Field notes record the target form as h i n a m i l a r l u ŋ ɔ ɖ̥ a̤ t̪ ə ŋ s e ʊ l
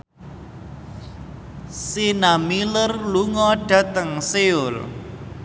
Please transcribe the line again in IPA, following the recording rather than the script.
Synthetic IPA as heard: s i n a m i l ə r l u ŋ ɔ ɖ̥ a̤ t̪ ə ŋ s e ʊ l